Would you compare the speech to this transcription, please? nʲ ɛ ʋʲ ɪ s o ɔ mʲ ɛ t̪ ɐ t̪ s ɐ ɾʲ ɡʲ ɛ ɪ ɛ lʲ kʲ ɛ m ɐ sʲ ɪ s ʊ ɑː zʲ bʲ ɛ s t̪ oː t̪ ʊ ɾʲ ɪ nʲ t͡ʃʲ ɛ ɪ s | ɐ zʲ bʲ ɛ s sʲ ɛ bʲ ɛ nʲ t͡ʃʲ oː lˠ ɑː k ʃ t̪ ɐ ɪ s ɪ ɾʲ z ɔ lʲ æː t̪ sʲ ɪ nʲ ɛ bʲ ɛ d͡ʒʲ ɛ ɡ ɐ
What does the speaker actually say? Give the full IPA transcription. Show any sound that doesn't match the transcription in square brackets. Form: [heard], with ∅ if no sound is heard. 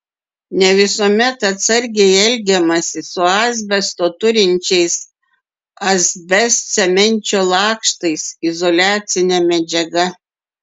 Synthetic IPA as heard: nʲ ɛ ʋʲ ɪ s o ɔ mʲ ɛ t̪ ɐ t̪ s ɐ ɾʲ ɡʲ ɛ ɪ ɛ lʲ [ɡʲ] ɛ m ɐ sʲ ɪ s ʊ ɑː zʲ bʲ ɛ s t̪ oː t̪ ʊ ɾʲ ɪ nʲ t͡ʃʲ ɛ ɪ s | ɐ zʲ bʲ ɛ s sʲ ɛ [mʲ] ɛ nʲ t͡ʃʲ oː lˠ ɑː k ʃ t̪ ɐ ɪ s ɪ [∅] z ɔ lʲ æː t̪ sʲ ɪ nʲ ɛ [mʲ] ɛ d͡ʒʲ ɛ ɡ ɐ